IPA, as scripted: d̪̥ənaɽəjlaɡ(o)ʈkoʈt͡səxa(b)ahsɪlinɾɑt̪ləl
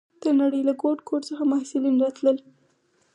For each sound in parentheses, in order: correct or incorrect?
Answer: correct, incorrect

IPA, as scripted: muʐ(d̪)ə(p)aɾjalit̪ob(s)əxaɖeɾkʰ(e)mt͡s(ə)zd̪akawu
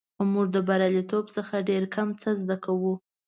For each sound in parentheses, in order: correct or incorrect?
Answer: correct, incorrect, correct, incorrect, correct

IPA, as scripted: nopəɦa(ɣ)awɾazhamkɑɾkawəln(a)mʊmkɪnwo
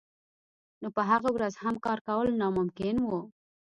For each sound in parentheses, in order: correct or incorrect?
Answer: correct, incorrect

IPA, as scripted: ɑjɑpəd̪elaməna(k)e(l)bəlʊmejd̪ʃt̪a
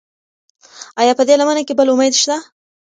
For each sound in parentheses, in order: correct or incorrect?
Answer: correct, incorrect

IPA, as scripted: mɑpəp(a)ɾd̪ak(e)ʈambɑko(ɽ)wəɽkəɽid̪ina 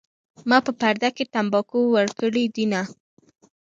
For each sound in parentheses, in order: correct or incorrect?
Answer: correct, correct, incorrect

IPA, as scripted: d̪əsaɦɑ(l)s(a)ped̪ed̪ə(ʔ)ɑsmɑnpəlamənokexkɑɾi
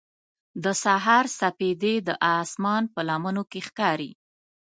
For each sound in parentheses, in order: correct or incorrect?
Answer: incorrect, correct, correct

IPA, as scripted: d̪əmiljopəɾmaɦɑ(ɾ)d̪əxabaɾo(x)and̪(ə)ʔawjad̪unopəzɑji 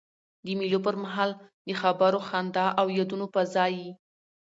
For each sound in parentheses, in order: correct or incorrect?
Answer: incorrect, correct, incorrect

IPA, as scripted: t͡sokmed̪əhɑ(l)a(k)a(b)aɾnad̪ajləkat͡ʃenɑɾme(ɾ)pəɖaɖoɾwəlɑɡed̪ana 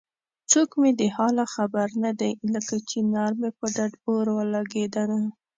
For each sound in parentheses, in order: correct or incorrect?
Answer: correct, incorrect, correct, incorrect

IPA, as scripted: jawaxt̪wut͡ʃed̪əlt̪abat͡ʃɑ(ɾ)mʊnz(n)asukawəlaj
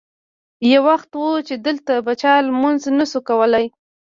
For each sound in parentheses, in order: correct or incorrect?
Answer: incorrect, correct

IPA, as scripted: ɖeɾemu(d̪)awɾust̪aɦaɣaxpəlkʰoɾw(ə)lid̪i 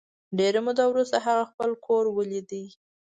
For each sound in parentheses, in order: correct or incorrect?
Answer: correct, correct

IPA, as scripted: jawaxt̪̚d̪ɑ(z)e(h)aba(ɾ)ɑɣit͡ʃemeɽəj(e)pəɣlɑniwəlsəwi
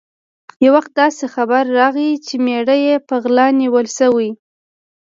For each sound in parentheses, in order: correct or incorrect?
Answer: incorrect, incorrect, incorrect, correct

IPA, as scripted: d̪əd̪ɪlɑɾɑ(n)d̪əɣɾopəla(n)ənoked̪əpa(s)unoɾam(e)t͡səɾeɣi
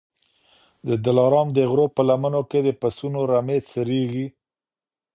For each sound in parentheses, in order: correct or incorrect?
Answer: incorrect, incorrect, correct, correct

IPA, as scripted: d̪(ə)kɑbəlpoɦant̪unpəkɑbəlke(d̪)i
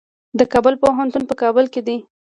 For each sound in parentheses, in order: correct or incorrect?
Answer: correct, correct

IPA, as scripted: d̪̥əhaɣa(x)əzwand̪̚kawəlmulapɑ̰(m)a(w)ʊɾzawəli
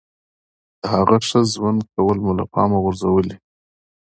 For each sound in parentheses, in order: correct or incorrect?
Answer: incorrect, correct, incorrect

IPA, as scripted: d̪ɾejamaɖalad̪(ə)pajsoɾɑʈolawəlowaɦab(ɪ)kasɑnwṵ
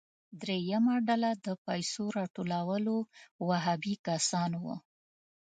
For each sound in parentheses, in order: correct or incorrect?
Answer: correct, incorrect

